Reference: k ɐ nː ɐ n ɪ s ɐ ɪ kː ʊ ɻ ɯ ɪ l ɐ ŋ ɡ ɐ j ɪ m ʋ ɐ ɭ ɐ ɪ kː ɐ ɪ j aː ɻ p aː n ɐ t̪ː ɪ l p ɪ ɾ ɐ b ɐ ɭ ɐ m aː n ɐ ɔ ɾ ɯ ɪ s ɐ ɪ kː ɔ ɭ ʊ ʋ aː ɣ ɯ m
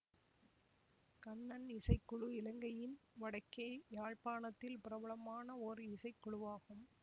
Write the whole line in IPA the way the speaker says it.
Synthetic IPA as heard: k ɐ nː ɐ n ɪ s ɐ ɪ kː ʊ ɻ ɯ ɪ l ɐ ŋ ɡ ɐ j ɪ n ʋ ɐ ɽ ɐ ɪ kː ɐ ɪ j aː ɻ p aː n ɐ t̪ː ɪ l p ɪ ɾ ɐ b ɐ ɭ ɐ m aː n ɐ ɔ ɾ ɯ ɪ s ɐ ɪ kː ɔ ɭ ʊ ʋ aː ɣ ɯ m